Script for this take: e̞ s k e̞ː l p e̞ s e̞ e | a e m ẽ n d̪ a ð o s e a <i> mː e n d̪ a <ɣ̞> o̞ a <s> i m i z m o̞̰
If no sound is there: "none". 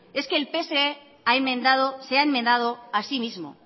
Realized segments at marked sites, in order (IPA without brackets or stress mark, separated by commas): e, ð̞, s